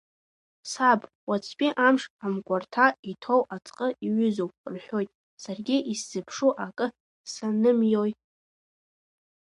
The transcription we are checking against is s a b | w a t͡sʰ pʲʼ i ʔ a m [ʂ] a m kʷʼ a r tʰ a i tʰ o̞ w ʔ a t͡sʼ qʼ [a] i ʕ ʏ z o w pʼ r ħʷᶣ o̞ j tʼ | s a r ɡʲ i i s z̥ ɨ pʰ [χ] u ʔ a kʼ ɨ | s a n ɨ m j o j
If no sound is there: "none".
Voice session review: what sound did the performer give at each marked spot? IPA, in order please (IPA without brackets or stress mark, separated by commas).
ʂ, ə, ʂ